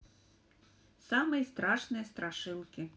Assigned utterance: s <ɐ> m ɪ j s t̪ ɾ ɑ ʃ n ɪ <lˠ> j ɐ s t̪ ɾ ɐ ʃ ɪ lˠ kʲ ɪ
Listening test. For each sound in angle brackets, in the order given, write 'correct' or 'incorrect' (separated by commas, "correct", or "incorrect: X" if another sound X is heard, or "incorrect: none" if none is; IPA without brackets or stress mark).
incorrect: ɑ, incorrect: none